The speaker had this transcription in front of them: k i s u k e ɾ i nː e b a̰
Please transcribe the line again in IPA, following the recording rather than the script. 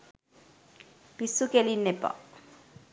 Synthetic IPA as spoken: p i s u k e l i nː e p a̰